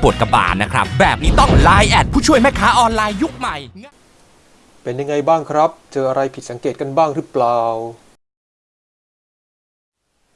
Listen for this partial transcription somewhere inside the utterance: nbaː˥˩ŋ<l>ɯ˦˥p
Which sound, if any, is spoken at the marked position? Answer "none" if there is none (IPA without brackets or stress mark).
ɾ